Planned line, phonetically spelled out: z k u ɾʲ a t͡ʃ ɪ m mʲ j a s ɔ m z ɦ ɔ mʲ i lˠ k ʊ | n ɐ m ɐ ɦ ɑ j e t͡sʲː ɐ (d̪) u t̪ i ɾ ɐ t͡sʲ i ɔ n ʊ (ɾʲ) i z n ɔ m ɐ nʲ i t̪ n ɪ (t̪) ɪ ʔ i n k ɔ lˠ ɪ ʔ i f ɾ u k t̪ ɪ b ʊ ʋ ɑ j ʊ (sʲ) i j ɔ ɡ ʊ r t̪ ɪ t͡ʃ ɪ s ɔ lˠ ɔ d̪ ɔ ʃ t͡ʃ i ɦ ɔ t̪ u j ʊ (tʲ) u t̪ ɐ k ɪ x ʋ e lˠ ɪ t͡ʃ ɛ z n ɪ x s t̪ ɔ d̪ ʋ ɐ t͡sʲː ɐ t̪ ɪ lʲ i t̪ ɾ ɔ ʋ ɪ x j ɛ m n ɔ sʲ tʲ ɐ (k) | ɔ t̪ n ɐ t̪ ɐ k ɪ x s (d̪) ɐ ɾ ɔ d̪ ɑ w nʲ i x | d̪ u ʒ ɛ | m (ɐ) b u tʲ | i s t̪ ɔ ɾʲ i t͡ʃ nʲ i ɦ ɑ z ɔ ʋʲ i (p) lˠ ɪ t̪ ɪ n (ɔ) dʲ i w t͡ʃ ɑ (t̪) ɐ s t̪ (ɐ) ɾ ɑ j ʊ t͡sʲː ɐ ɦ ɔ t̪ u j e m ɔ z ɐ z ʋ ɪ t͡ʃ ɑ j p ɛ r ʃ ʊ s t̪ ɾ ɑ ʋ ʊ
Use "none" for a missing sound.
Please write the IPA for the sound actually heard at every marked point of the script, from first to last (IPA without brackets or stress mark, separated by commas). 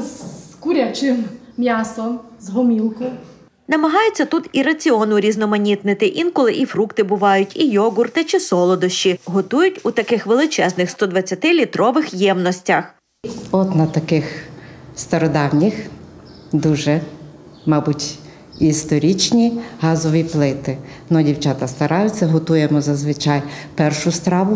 t̪, ɾʲ, t̪, tʲ, tʲ, x, t̪, ɑ, p, ɔ, t̪, ɐ